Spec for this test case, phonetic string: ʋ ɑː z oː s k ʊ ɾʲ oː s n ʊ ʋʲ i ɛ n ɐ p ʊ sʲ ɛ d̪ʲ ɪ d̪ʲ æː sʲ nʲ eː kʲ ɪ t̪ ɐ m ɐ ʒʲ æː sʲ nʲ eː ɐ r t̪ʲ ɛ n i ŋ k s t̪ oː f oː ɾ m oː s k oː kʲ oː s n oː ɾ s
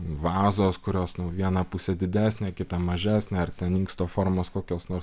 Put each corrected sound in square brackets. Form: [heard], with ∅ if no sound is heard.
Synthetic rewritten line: ʋ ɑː z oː s k ʊ ɾʲ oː s n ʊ ʋʲ i ɛ n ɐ p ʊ sʲ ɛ d̪ʲ ɪ d̪ʲ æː sʲ nʲ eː kʲ ɪ t̪ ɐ m ɐ ʒʲ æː sʲ nʲ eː ɐ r t̪ʲ ɛ n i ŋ k s t̪ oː f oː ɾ m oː s k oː kʲ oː s n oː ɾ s